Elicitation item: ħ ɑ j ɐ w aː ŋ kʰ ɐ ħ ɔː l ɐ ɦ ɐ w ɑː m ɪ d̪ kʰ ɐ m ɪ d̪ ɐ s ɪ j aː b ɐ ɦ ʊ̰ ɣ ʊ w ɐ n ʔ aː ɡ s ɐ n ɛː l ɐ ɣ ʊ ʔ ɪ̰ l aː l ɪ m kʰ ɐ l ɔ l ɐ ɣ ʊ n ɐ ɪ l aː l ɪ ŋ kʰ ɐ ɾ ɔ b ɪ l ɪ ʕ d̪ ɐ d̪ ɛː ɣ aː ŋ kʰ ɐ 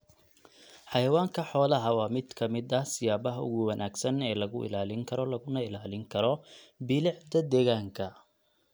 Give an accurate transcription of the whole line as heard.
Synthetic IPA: ħ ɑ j ɐ w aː ŋ kʰ ɐ ħ ɔː l ɐ ɦ ɐ w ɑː m ɪ d̪ kʰ ɐ m ɪ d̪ ɐ s ɪ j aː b ɐ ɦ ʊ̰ ɣ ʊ w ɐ n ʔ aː ɡ s ɐ n ɛː l ɐ ɣ ʊ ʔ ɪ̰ l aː l ɪ ŋ kʰ ɐ ɾ ɔ l ɐ ɣ ʊ n ɐ ɪ l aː l ɪ ŋ kʰ ɐ ɾ ɔ b ɪ l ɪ ʕ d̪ ɐ d̪ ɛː ɣ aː ŋ kʰ ɐ